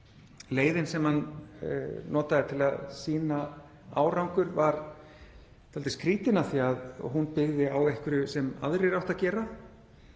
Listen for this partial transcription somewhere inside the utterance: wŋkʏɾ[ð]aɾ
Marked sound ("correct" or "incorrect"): incorrect